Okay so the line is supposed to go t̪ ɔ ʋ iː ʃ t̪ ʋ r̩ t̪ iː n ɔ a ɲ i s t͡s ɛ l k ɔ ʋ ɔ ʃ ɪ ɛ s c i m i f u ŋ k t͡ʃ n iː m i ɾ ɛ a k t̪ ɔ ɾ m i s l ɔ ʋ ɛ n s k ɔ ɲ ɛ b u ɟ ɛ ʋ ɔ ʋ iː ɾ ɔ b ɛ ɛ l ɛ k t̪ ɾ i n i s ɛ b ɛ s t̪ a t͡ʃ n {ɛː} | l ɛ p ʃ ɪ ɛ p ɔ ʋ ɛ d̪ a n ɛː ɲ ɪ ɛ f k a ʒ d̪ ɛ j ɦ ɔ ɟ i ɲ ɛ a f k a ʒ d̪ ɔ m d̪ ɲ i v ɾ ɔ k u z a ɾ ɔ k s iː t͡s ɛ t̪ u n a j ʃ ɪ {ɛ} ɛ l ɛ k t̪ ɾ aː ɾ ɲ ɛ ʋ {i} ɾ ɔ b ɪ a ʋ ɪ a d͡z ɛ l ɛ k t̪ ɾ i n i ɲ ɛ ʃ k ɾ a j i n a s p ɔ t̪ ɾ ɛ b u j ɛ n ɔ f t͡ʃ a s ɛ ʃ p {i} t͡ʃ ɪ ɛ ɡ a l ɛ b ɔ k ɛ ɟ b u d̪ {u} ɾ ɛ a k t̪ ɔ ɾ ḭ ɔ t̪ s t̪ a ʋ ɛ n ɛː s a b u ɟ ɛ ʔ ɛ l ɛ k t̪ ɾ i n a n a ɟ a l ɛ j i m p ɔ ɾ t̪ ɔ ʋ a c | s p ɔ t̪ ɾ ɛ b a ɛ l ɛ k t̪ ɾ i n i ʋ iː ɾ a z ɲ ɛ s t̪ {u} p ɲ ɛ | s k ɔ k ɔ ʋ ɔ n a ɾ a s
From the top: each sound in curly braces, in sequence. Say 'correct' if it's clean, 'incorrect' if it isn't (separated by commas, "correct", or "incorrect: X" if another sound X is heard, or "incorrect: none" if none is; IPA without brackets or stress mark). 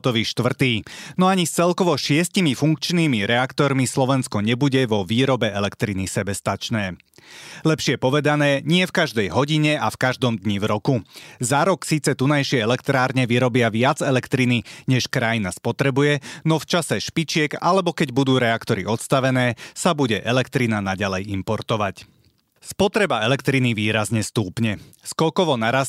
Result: correct, correct, correct, correct, incorrect: uː, incorrect: uː